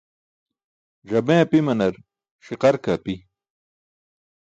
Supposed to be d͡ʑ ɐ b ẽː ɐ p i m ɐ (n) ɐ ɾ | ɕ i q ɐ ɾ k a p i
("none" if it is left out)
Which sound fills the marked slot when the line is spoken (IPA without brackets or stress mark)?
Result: n